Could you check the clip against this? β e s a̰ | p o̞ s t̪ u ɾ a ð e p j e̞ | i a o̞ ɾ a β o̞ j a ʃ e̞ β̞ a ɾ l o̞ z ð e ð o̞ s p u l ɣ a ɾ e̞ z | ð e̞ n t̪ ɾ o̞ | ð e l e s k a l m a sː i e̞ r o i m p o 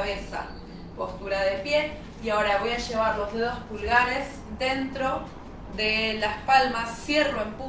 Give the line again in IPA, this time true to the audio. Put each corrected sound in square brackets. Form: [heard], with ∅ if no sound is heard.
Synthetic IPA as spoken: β e s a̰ | p o̞ s t̪ u ɾ a ð e p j e̞ | i a o̞ ɾ a β o̞ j a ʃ e̞ β̞ a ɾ l o̞ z ð e ð o̞ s p u l ɣ a ɾ e̞ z | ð e̞ n t̪ ɾ o̞ | ð e l [a] s [p] a l m a sː [j] e̞ r o [e] m p [u]

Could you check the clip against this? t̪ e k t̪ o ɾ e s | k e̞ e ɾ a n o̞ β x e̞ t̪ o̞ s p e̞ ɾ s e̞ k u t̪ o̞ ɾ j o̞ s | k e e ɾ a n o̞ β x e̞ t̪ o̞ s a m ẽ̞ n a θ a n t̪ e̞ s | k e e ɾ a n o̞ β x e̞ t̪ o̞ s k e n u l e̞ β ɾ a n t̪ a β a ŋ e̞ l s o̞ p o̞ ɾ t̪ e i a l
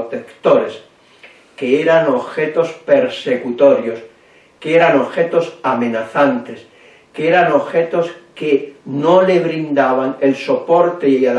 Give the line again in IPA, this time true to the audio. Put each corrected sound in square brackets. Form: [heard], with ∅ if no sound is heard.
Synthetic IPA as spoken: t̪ e k t̪ o ɾ e s | k e̞ e ɾ a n o̞ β x e̞ t̪ o̞ s p e̞ ɾ s e̞ k u t̪ o̞ ɾ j o̞ s | k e e ɾ a n o̞ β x e̞ t̪ o̞ s a m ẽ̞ n a θ a n t̪ e̞ s | k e e ɾ a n o̞ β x e̞ t̪ o̞ s k e n [o] l e̞ β ɾ [i] n [d̪] a β a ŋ e̞ l s o̞ p o̞ ɾ t̪ e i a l

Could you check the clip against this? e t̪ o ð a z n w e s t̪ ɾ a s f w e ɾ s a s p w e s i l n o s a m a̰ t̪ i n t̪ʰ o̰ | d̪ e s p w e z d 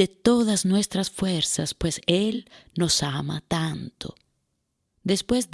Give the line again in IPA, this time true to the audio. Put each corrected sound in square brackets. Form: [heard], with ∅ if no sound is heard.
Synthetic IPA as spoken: e t̪ o ð a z n w e s t̪ ɾ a s f w e ɾ s a s p w e s [e] l n o s a m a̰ t̪ [a] n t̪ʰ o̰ | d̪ e s p w e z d

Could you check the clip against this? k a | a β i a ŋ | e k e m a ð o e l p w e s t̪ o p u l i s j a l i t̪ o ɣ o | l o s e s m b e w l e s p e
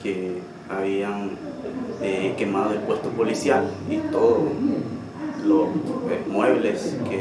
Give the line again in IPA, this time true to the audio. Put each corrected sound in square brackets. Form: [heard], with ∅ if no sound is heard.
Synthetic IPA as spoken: k [e] | a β i a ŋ | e k e m a ð o e l p w e s t̪ o p [o] l i s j a l i t̪ o [ð] o | l o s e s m [w] e [β] l e s [k] e

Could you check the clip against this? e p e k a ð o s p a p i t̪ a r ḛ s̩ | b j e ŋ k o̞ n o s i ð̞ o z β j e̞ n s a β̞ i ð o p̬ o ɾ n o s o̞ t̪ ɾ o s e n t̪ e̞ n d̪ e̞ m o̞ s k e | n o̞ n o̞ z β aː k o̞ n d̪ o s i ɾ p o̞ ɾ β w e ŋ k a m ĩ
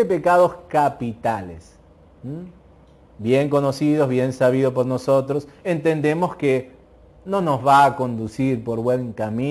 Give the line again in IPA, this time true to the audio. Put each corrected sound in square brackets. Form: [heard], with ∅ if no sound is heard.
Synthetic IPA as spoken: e p e k a ð o s [k] a p i t̪ a [l] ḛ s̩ | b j e ŋ k o̞ n o s i ð̞ o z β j e̞ n s a β̞ i ð o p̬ o ɾ n o s o̞ t̪ ɾ o s e n t̪ e̞ n d̪ e̞ m o̞ s k e | n o̞ n o̞ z β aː k o̞ n d̪ [u] s i ɾ p o̞ ɾ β w e ŋ k a m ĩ

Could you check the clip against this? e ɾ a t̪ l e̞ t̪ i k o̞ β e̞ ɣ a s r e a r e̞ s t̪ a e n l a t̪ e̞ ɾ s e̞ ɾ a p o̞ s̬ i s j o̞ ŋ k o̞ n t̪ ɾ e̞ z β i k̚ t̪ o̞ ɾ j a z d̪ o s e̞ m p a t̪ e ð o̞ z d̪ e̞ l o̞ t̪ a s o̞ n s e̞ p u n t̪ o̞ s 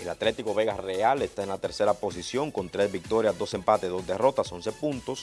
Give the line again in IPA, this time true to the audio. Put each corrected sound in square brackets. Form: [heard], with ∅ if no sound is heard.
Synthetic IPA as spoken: e [l] a t̪ l e̞ t̪ i k o̞ β e̞ ɣ a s r e a [l] e̞ s t̪ a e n l a t̪ e̞ ɾ s e̞ ɾ a p o̞ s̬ i s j o̞ ŋ k o̞ n t̪ ɾ e̞ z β i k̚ t̪ o̞ ɾ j a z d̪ o s e̞ m p a t̪ e ð o̞ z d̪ e̞ [r] o̞ t̪ a s o̞ n s e̞ p u n t̪ o̞ s

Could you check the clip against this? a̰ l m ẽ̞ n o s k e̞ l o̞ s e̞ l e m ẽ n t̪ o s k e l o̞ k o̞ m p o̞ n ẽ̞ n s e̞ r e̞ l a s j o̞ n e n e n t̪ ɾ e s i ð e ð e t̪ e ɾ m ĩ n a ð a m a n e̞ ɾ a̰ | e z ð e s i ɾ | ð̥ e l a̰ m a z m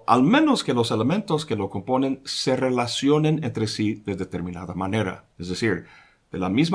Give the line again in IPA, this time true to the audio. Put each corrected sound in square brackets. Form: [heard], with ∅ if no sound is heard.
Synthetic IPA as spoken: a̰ l m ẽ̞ n o s k e̞ l o̞ s e̞ l e m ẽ n t̪ o s k e l o̞ k o̞ m p o̞ n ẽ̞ n s e̞ r e̞ l a s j o̞ n e n e n t̪ ɾ e s i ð e ð e t̪ e ɾ m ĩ n a ð a m a n e̞ ɾ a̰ | e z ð e s i ɾ | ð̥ e l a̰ m [i] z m

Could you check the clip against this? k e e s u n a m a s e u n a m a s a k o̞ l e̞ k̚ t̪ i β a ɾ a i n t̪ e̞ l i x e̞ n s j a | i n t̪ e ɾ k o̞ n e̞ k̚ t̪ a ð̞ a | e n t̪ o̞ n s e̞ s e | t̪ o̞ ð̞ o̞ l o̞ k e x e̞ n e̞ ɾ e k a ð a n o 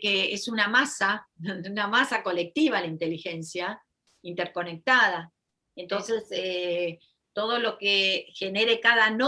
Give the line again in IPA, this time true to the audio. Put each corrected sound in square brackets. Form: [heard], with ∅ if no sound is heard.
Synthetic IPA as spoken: k e e s u n a m a s [a] u n a m a s a k o̞ l e̞ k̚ t̪ i β a [l] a i n t̪ e̞ l i x e̞ n s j a | i n t̪ e ɾ k o̞ n e̞ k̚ t̪ a ð̞ a | e n t̪ o̞ n s e̞ s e | t̪ o̞ ð̞ o̞ l o̞ k e x e̞ n e̞ ɾ e k a ð a n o

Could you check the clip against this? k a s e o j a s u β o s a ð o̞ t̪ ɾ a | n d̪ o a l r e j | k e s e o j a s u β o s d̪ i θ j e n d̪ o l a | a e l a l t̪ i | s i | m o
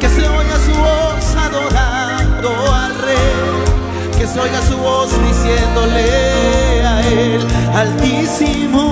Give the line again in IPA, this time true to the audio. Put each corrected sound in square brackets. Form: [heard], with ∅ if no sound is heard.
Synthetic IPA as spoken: k [e] s e o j a s u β o s a ð o̞ [∅] ɾ a | n d̪ o a l r e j | k e s e o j a s u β o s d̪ i [s] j e n d̪ o l [e] | a e l a l t̪ i | s i | m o

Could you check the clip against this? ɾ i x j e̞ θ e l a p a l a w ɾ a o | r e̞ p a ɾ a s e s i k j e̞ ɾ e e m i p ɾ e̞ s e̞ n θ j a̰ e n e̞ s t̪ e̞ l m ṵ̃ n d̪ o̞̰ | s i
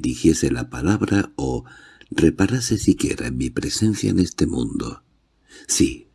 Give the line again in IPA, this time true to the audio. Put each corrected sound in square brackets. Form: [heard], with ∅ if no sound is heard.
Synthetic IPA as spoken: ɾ i x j e̞ [s] e l a p a l a [β] ɾ a o | r e̞ p a ɾ a s e s i k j e̞ ɾ [a] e m i p ɾ e̞ s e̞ n θ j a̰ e n e̞ s t̪ e̞ [∅] m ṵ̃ n d̪ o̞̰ | s i

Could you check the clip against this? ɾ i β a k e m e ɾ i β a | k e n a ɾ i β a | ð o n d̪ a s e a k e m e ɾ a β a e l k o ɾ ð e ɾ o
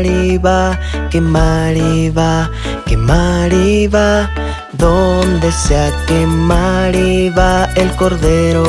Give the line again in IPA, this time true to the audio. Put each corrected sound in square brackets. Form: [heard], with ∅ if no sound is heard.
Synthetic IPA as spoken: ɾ i β a k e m [a] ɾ i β a | k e [m] a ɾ i β a | ð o n d̪ [e] s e a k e m [a] ɾ [i] β a e l k o ɾ ð e ɾ o

